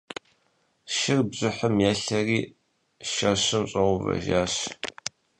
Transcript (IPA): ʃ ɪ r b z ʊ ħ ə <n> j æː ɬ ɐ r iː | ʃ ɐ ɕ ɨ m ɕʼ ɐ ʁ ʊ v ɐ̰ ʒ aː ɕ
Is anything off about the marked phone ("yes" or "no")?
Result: yes